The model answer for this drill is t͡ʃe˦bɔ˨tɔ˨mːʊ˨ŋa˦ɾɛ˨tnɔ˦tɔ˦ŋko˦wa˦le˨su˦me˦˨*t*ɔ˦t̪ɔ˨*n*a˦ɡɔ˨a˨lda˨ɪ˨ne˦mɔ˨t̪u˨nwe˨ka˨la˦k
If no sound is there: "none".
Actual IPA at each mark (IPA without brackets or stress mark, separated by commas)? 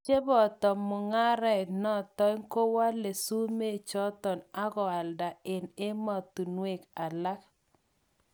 t͡ʃ, n